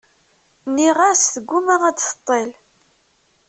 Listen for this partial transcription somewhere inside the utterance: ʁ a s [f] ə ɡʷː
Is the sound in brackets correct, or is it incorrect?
incorrect